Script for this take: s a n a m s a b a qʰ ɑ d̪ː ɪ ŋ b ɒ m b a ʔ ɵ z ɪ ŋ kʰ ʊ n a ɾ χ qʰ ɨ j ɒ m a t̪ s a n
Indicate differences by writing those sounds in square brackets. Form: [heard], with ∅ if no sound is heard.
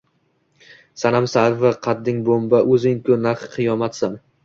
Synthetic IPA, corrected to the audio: s a n a m s a [v] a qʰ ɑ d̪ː ɪ ŋ b [o] m b a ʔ ɵ z ɪ ŋ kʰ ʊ n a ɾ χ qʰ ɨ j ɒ m a t̪ s a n